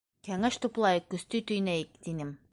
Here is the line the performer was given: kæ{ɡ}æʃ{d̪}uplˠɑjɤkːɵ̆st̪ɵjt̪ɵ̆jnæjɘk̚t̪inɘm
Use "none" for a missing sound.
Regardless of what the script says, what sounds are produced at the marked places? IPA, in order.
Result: ŋ, t̪

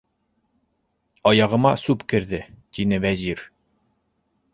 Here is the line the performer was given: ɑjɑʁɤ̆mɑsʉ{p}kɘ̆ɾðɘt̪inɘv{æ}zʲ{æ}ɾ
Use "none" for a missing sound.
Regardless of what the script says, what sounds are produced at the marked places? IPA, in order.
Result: p, æ, i

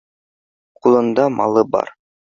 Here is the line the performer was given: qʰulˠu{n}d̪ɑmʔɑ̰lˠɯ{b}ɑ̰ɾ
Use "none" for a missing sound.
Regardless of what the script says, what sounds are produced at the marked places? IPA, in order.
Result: n, b

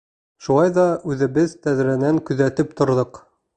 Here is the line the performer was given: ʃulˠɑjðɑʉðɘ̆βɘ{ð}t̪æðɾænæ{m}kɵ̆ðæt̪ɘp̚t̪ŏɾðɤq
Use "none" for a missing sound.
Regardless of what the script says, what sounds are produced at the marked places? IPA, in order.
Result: ð, ŋ

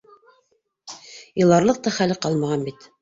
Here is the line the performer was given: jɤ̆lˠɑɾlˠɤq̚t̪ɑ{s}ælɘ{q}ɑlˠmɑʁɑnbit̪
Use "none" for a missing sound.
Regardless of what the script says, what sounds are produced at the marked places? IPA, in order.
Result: χ, q

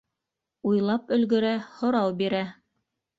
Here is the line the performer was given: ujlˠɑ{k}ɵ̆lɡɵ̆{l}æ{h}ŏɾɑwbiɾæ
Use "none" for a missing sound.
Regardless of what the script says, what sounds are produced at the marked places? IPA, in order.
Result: p, ɾ, h

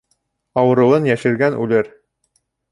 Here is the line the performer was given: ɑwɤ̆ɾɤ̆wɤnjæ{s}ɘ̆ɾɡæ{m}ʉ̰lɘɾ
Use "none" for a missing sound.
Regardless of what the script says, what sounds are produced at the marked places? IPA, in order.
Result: ʃ, n

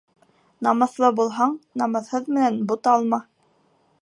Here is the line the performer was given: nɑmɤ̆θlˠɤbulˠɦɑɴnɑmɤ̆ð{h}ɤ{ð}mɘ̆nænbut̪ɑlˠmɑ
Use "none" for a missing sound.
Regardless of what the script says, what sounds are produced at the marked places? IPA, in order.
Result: h, ð

